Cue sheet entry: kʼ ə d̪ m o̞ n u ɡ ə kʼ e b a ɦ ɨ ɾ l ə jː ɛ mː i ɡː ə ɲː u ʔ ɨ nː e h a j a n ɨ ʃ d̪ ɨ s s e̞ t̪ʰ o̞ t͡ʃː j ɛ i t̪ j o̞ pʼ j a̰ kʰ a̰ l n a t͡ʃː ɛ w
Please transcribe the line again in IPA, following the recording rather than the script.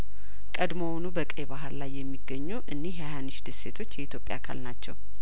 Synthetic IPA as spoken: kʼ ə d̪ m o̞ n u b ə kʼ e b a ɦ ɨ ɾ l a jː ɛ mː i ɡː ə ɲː u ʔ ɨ nː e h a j a n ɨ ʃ d̪ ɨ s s e̞ t̪ʰ o̞ t͡ʃː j ɛ i t̪ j o̞ pʼ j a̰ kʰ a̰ l n a t͡ʃː ɛ w

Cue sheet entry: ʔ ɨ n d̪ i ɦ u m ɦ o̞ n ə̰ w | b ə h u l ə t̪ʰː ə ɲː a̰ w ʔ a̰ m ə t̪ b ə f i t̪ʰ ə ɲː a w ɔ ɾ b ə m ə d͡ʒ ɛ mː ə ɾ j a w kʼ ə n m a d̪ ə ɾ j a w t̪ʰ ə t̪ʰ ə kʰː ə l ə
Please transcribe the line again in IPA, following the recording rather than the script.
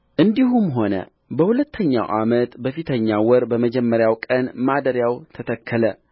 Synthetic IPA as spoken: ʔ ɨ n d̪ i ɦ u m ɦ o̞ n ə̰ | b ə h u l ə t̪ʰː ə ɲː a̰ w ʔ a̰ m ə t̪ b ə f i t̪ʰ ə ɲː a w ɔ ɾ b ə m ə d͡ʒ ɛ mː ə ɾ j a w kʼ ə n m a d̪ ə ɾ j a w t̪ʰ ə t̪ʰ ə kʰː ə l ə

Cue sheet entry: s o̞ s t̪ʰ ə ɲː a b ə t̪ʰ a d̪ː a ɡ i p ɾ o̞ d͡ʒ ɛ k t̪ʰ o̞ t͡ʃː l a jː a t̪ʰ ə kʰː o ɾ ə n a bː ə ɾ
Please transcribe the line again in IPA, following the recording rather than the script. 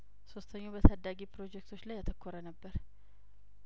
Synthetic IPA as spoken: s o̞ s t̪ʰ ə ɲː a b ə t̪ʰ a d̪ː a ɡ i p ɾ o̞ d͡ʒ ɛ k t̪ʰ o̞ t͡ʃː l a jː a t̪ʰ ə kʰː o ɾ ə n ə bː ə ɾ

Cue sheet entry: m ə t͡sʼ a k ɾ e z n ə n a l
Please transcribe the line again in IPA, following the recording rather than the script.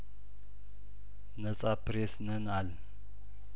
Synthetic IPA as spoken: n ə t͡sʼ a p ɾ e s n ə n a l

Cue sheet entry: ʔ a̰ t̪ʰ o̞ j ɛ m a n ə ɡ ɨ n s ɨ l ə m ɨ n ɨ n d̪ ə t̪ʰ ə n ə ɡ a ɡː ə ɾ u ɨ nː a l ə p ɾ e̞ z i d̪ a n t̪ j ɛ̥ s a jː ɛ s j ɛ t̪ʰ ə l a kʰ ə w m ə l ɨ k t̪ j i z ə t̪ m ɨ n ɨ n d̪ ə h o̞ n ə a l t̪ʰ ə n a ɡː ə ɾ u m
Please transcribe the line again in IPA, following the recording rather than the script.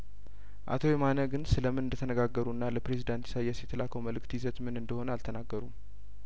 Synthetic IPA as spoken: ʔ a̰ t̪ʰ o̞ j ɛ m a n ə ɡ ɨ n s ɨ l ə m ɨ n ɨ n d̪ ə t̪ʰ ə n ə ɡ a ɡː ə ɾ u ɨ nː a l ə p ɾ e̞ z i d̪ a n t̪ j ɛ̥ s a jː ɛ s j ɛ t̪ʰ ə l a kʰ ə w m ə l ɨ k t̪ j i z ə t̪ m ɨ n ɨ n d̪ ə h o̞ n ə a l t̪ʰ ə n a ɡː ə ɾ u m

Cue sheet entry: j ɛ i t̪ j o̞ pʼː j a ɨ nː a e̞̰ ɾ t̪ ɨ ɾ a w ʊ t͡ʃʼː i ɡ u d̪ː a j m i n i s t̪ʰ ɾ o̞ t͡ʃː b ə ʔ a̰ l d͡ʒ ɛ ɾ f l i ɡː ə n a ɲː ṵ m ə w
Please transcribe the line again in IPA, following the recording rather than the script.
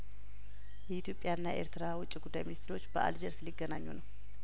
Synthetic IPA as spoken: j ɛ i t̪ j o̞ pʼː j a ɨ nː a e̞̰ ɾ t̪ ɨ ɾ a w ʊ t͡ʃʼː i ɡ u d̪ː a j m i n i s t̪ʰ ɾ o̞ t͡ʃː b ə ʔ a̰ l d͡ʒ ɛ ɾ s l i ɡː ə n a ɲː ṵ n ə w

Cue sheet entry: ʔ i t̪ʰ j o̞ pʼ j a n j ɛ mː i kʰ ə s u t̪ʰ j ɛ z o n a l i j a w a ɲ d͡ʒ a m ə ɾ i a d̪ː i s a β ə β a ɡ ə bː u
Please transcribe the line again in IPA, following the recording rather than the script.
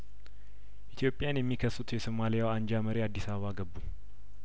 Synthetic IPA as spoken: ʔ i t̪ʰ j o̞ pʼ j a n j ɛ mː i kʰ ə s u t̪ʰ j ɛ s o m a l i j a w a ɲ d͡ʒ a m ə ɾ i a d̪ː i s a β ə β a ɡ ə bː u

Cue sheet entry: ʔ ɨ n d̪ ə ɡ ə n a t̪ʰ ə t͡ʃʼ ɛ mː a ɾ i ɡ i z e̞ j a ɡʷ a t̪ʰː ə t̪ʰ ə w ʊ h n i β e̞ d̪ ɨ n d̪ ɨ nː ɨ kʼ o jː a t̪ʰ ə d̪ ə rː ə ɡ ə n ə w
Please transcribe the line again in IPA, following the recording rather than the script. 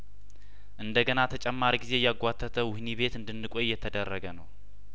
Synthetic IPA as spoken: ʔ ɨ n d̪ ə ɡ ə n a t̪ʰ ə t͡ʃʼ ɛ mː a ɾ i ɡ i z e̞ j a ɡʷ a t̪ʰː ə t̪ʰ ə w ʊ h n i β e̞ t̪ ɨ n d̪ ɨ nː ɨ kʼ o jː ɛ t̪ʰ ə d̪ ə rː ə ɡ ə n ə w

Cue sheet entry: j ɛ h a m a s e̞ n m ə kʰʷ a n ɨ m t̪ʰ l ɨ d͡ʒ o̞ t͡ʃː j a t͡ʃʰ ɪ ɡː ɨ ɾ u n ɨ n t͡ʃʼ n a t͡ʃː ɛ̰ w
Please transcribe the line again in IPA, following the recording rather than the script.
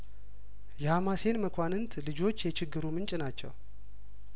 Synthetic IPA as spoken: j ɛ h a m a s e̞ n m ə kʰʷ a n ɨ n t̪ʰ l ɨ d͡ʒ o̞ t͡ʃː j ɛ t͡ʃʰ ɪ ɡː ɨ ɾ u m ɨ n t͡ʃʼ n a t͡ʃː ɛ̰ w

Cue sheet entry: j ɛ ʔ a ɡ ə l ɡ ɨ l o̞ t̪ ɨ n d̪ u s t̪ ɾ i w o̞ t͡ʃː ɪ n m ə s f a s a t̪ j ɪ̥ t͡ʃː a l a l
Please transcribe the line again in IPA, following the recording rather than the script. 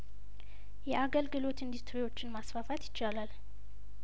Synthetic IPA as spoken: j ɛ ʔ a ɡ ə l ɡ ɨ l o̞ t̪ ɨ n d̪ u s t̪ ɾ i w o̞ t͡ʃː ɪ n m a s f a f a t̪ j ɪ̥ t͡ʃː a l a l

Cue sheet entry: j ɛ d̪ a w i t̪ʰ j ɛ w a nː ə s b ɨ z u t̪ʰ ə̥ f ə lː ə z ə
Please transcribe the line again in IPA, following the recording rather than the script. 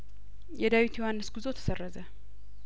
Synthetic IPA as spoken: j ɛ d̪ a w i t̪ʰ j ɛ w a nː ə s ɡ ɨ z o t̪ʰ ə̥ s ə rː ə z ə

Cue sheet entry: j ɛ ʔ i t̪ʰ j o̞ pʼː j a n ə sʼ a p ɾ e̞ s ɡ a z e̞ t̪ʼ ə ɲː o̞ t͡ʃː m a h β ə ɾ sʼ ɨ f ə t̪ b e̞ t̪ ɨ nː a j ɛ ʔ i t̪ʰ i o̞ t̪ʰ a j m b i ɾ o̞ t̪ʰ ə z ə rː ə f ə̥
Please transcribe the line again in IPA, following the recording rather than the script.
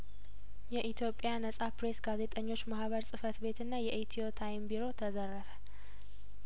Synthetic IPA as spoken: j ɛ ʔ i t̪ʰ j o̞ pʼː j a n ə sʼ a p ɾ e̞ s ɡ a z e̞ t̪ʼ ə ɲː o̞ t͡ʃː m a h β ə ɾ sʼ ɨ f ə t̪ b e̞ t̪ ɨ nː a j ɛ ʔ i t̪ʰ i o̞ t̪ʰ a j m b i ɾ o̞ t̪ʰ ə z ə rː ə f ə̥

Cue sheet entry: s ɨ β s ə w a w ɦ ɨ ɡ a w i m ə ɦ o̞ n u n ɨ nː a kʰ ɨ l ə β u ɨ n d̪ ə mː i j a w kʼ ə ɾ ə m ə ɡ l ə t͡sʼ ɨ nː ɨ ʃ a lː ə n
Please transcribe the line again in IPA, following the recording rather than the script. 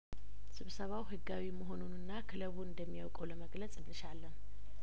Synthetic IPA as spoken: s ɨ β s ə β a w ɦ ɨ ɡ a w i m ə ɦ o̞ n u n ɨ nː a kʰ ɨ l ə β u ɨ n d̪ ə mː i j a w kʼ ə l ə m ə ɡ l ə t͡sʼ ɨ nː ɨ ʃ a lː ə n

